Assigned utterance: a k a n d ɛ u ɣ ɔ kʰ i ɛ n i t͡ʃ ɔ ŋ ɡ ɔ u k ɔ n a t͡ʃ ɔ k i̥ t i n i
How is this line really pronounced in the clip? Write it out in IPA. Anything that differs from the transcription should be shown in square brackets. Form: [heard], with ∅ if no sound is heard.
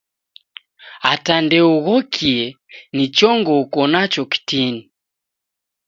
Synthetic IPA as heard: a [t] a n d ɛ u ɣ ɔ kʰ i ɛ n i t͡ʃ ɔ ŋ ɡ ɔ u k ɔ n a t͡ʃ ɔ k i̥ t i n i

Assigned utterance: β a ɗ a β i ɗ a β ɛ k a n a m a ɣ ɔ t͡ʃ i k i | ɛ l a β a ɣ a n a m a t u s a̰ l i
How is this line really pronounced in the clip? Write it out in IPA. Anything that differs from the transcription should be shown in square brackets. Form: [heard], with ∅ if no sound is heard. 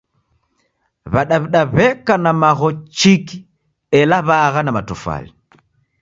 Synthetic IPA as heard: β a ɗ a β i ɗ a β ɛ k a n a m a ɣ ɔ t͡ʃ i k i | ɛ l a β a ɣ a n a m a t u [f] a̰ l i

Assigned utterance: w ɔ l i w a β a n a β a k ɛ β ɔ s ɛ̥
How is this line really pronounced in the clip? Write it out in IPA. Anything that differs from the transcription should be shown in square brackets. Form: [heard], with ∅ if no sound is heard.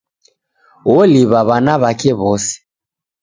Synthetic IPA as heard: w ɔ l i [β] a β a n a β a k ɛ β ɔ s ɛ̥

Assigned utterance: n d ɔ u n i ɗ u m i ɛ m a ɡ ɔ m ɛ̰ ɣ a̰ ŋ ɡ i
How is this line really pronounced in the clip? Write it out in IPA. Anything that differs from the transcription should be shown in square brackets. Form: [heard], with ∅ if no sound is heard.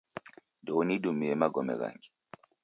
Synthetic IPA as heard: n d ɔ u n i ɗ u m i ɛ m a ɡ ɔ m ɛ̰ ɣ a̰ ŋ ɡ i

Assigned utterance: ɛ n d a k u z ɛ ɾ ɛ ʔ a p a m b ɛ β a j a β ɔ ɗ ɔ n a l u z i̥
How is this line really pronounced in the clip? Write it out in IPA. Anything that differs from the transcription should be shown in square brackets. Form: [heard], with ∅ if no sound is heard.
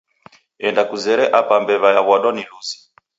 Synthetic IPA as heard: ɛ n d a k u z ɛ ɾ ɛ ʔ a p a m b ɛ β a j a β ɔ ɗ ɔ n [i] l u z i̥

